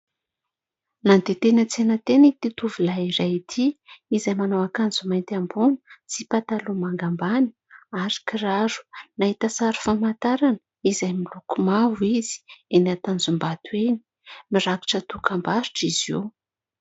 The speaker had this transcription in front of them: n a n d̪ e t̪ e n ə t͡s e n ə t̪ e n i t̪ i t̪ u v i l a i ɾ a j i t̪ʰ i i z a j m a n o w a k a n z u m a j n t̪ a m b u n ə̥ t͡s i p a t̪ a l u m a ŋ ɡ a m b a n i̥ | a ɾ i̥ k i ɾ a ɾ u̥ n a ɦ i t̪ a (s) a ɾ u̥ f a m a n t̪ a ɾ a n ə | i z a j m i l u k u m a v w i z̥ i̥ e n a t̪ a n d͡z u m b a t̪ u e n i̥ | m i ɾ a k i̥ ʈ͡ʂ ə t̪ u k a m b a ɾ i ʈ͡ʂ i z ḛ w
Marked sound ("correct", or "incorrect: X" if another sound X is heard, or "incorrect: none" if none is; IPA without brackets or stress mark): correct